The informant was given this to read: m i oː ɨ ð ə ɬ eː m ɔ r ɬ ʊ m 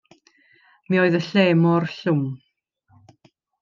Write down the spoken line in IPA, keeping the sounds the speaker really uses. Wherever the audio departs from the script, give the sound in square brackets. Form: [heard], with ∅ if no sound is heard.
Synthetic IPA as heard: m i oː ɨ ð ə ɬ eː m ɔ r ɬ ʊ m